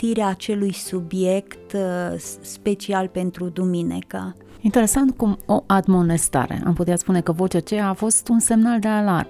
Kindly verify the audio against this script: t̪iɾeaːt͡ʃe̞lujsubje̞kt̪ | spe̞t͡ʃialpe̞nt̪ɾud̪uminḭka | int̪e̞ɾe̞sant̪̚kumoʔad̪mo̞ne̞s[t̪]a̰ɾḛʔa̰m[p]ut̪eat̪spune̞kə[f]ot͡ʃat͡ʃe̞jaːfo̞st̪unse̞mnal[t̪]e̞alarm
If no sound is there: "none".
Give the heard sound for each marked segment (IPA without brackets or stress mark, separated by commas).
t̪, p, v, d̪